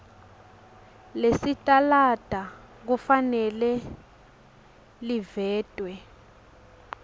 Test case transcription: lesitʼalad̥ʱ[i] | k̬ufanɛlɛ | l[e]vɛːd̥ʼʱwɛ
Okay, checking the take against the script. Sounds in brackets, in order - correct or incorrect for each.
incorrect, incorrect

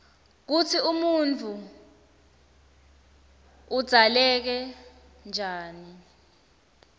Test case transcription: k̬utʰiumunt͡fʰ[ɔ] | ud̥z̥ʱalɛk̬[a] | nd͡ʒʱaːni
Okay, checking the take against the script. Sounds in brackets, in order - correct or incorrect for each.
incorrect, incorrect

